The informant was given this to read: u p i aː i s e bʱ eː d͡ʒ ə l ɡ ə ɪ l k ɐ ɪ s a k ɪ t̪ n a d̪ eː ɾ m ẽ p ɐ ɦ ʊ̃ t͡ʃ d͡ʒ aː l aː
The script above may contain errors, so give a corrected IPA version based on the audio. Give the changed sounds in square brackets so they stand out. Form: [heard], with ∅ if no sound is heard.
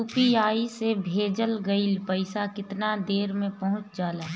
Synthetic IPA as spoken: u p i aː i s e bʱ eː d͡ʒ ə l ɡ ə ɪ l [p] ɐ ɪ s a k ɪ t̪ n a d̪ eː ɾ m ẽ p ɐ ɦ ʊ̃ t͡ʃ d͡ʒ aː l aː